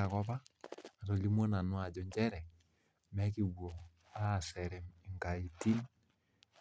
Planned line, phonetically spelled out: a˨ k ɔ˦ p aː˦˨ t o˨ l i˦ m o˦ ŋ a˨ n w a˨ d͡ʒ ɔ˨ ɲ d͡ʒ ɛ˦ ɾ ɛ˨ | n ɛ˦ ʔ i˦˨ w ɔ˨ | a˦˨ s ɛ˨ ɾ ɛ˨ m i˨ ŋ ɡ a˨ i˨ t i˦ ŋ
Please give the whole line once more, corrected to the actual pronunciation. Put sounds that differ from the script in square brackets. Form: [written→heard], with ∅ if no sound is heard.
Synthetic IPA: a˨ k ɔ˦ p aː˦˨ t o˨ l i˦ m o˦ [ŋ→n] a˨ n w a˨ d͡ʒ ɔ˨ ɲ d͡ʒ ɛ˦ ɾ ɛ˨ | [n→m] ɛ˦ [ʔ→k] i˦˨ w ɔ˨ | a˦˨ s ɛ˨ ɾ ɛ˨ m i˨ ŋ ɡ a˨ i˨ t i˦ [ŋ→n]